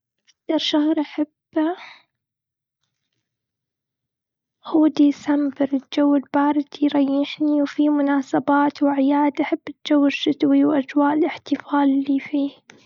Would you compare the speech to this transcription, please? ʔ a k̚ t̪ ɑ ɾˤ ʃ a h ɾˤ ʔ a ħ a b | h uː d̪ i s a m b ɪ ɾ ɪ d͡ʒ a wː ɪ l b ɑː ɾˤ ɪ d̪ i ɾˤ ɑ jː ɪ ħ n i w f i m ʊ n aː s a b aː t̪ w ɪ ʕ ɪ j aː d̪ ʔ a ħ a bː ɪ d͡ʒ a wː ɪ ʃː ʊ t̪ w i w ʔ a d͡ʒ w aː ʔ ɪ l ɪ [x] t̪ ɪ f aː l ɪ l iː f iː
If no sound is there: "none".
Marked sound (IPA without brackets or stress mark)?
ħ